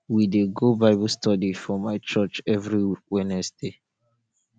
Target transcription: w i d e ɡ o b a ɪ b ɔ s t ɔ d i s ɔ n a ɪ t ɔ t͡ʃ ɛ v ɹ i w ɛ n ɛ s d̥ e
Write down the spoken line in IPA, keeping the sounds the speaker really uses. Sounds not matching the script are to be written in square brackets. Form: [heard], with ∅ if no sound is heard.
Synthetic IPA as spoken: w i d e ɡ o b a ɪ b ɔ s t ɔ d i [f] ɔ [m] a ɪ [t͡ʃ] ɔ t͡ʃ ɛ v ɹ i w ɛ n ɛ s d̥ e